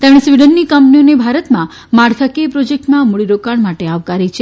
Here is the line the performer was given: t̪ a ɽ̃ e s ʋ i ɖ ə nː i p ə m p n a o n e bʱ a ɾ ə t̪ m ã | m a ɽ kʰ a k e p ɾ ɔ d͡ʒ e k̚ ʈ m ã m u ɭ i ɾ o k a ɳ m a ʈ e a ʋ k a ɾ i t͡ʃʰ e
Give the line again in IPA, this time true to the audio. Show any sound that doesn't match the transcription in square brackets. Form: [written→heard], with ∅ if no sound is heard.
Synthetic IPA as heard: t̪ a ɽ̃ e s ʋ i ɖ ə nː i [p→k] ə m p n [a→i] o n e bʱ a ɾ ə t̪ m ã | m a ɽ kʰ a k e p ɾ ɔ d͡ʒ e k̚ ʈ m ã m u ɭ i ɾ o k a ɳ m a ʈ e a ʋ k a ɾ i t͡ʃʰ e